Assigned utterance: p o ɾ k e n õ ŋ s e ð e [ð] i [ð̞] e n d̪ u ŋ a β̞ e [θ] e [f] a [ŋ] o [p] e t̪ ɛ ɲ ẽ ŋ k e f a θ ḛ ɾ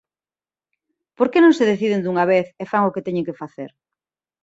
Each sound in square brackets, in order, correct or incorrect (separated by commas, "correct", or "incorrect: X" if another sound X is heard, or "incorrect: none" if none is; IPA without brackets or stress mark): incorrect: θ, correct, correct, correct, correct, incorrect: k